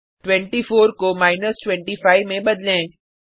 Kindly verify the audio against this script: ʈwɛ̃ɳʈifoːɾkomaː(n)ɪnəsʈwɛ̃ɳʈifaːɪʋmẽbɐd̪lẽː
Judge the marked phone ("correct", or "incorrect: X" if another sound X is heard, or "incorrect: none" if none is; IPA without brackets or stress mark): incorrect: none